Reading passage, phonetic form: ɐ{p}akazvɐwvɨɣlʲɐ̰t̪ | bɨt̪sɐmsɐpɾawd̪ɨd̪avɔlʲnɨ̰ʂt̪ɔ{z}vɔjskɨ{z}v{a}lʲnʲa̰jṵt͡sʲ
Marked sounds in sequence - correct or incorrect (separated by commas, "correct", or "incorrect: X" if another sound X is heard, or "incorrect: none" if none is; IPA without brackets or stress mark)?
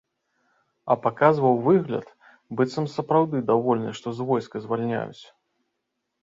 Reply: correct, correct, correct, correct